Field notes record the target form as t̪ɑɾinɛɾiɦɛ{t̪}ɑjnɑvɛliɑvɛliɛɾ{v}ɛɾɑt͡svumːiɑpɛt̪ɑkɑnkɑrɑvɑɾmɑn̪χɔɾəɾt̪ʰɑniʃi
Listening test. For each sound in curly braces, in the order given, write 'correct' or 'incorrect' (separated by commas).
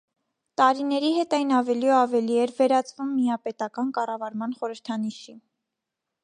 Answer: correct, correct